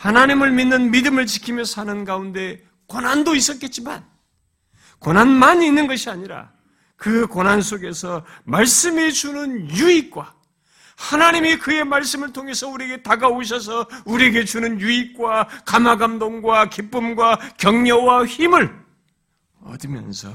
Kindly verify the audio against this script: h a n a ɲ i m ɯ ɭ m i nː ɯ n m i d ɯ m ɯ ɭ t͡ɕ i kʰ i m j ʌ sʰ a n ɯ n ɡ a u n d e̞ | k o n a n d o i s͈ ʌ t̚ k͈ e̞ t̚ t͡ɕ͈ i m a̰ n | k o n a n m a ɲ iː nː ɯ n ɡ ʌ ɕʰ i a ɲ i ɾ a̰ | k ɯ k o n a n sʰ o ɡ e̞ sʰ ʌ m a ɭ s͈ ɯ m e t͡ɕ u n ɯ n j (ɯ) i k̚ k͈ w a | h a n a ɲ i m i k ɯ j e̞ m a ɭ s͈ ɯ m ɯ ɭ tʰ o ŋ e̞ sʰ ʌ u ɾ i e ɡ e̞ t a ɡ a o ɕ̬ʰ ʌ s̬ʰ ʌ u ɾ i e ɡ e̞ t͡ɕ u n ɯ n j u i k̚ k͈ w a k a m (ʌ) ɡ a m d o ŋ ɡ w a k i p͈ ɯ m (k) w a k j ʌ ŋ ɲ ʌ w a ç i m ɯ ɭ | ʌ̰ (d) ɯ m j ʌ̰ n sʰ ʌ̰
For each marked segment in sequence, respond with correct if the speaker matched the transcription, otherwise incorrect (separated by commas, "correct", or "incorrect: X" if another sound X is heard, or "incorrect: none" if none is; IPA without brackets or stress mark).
incorrect: u, incorrect: a, incorrect: ɡ, correct